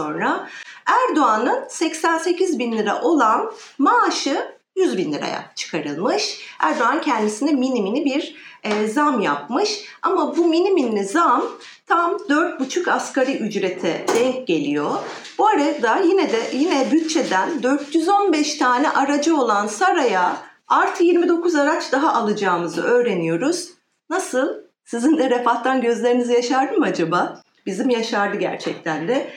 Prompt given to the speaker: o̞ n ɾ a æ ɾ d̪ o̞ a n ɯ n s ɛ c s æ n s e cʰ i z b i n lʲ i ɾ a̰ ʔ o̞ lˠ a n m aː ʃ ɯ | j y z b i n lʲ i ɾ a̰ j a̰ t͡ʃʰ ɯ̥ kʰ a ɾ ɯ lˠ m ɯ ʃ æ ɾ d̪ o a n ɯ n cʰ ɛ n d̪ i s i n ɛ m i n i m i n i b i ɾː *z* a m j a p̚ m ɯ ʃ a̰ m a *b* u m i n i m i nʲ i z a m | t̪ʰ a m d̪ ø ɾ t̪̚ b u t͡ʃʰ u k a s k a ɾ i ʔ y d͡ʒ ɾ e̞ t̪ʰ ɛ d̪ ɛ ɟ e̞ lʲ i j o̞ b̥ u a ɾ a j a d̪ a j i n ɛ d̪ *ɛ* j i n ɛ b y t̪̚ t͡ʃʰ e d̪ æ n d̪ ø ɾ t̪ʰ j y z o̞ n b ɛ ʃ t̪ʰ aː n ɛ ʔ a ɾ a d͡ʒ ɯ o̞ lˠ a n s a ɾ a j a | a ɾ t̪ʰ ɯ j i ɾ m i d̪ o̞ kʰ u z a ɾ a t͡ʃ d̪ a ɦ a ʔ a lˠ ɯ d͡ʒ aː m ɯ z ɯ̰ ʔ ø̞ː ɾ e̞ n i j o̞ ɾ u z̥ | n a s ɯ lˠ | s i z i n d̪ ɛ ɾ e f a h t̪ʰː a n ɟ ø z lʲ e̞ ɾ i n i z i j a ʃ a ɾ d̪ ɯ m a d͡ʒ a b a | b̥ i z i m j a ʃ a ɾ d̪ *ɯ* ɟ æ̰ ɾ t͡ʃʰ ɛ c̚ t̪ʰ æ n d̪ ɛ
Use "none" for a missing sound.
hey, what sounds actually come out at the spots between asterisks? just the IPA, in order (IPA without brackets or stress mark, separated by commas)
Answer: z, b, ɛ, ɯ